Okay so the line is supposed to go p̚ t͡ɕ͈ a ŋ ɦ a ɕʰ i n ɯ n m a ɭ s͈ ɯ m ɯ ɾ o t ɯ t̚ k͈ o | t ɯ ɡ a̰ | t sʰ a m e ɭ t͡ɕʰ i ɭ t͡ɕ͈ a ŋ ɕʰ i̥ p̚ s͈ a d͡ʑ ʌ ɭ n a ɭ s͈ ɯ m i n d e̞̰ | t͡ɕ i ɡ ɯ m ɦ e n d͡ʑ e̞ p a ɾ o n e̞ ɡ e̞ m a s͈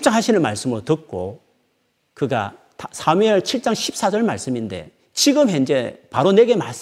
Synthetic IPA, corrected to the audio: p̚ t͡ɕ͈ a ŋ ɦ a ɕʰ i n ɯ n m a ɭ s͈ ɯ m ɯ ɾ o t ɯ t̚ k͈ o | k ɯ ɡ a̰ | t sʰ a m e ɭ t͡ɕʰ i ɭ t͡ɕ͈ a ŋ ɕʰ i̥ p̚ s͈ a d͡ʑ ʌ ɭ m a ɭ s͈ ɯ m i n d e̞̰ | t͡ɕ i ɡ ɯ m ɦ e n d͡ʑ e̞ p a ɾ o n e̞ ɡ e̞ m a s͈